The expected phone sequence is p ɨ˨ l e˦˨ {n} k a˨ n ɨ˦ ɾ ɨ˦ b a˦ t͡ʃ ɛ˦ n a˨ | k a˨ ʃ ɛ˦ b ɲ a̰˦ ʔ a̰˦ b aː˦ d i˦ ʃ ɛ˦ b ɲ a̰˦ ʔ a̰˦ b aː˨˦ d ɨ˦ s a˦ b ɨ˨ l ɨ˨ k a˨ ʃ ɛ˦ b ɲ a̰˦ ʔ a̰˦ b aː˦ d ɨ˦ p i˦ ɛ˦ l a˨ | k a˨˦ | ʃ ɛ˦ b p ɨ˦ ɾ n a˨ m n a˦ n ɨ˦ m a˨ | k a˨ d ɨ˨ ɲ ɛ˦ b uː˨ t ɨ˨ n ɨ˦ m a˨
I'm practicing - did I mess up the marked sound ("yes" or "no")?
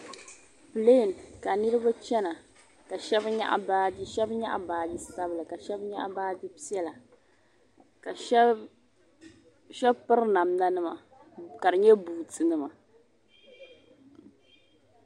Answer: no